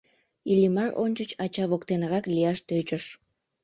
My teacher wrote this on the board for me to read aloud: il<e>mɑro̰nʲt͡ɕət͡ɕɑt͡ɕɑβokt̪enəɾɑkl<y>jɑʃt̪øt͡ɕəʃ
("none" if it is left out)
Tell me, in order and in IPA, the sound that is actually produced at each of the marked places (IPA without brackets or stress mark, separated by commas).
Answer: i, i